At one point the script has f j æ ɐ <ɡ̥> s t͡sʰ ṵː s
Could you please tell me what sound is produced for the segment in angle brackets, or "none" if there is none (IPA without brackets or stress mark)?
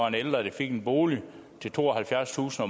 none